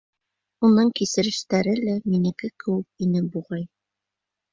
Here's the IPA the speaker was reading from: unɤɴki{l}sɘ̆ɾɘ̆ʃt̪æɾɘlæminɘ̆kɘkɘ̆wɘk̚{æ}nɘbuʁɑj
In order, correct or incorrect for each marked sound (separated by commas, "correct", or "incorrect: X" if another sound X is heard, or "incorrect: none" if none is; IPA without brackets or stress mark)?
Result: incorrect: none, incorrect: i